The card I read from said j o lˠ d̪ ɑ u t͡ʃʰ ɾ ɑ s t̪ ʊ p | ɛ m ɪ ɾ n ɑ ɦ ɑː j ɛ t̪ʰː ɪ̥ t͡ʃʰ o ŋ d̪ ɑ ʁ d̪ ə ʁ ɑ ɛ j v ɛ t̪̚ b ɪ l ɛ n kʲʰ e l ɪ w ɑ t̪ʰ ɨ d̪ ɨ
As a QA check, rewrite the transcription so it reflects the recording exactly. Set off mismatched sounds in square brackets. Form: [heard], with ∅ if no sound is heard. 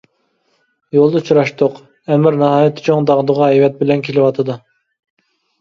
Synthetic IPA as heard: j o lˠ d̪ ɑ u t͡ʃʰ ɾ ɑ [ʃ] t̪ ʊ [q] | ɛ m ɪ ɾ n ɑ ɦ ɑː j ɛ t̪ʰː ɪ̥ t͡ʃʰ o ŋ d̪ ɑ ʁ d̪ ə ʁ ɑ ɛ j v ɛ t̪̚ b ɪ l ɛ n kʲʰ e l ɪ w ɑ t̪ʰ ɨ d̪ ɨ